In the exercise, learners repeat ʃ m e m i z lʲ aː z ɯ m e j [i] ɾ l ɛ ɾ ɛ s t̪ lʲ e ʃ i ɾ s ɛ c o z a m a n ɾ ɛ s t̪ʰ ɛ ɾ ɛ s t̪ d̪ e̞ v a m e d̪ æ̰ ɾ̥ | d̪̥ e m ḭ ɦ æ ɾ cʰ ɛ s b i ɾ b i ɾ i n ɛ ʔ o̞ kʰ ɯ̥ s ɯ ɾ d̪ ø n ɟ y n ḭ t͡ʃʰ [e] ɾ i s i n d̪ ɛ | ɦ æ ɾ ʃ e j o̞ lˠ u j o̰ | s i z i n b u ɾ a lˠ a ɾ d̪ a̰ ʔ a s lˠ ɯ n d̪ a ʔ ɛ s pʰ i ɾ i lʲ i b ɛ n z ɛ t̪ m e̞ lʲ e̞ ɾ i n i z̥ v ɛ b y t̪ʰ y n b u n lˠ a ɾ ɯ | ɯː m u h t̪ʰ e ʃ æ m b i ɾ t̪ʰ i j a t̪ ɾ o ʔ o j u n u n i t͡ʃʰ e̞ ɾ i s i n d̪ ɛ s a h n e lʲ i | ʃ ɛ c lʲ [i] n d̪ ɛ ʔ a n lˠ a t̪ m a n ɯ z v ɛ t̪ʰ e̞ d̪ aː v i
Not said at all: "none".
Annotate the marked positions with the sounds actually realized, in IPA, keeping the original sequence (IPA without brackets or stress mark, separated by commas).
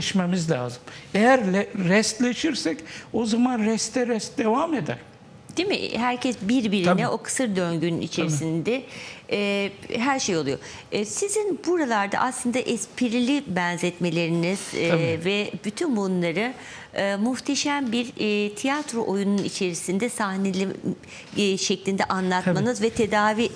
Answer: æ, e, i